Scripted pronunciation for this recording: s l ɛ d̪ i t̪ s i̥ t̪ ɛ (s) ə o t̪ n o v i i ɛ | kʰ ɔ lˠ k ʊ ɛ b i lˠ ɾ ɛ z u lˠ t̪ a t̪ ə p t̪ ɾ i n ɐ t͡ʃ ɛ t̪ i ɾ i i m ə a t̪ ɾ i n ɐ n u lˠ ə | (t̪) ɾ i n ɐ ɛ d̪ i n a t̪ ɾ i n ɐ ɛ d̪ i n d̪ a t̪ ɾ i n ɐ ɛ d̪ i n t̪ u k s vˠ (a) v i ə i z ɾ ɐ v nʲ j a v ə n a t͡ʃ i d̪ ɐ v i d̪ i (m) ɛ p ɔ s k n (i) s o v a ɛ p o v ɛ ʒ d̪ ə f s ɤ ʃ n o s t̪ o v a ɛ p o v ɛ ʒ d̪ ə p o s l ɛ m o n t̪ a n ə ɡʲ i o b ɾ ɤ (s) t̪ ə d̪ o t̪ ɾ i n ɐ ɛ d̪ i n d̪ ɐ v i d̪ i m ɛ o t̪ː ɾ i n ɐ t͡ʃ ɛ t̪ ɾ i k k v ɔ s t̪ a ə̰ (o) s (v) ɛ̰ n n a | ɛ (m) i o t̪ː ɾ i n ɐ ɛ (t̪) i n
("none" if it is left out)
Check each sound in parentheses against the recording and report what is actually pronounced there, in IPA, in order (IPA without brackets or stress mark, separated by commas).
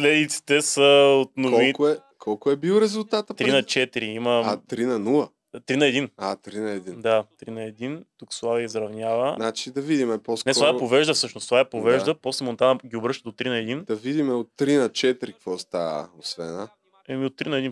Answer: s, t̪, a, m, ɛ, ʃ, o, v, m, d̪